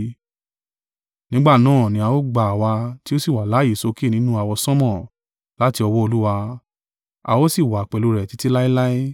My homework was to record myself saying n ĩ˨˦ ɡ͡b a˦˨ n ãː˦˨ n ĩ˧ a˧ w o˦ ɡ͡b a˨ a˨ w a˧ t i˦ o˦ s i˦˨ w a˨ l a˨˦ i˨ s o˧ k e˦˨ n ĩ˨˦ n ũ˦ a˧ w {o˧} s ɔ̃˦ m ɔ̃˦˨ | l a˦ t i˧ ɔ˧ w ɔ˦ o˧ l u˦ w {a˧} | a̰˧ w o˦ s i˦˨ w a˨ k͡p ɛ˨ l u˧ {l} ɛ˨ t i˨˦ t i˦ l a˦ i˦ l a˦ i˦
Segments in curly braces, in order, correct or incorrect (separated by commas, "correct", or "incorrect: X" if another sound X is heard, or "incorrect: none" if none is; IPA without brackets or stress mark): incorrect: ɔ˧, correct, incorrect: ɾ